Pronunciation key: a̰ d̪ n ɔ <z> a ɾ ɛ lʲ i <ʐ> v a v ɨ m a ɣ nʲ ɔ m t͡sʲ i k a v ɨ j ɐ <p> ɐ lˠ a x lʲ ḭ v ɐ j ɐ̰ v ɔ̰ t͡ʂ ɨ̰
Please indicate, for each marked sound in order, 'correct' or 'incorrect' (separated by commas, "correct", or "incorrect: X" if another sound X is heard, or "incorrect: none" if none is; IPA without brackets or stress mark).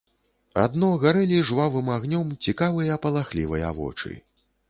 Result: incorrect: ɣ, correct, correct